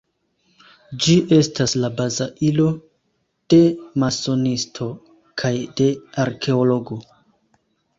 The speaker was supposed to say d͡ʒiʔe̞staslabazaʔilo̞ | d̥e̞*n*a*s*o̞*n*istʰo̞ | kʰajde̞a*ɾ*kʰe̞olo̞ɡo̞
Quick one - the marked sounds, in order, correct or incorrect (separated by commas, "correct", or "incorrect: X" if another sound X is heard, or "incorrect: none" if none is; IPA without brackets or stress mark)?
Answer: incorrect: m, correct, correct, correct